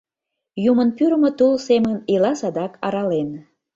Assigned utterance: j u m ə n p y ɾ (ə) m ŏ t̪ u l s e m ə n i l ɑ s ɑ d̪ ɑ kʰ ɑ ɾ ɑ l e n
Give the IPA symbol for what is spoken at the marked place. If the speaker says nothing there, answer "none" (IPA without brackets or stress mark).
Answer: ə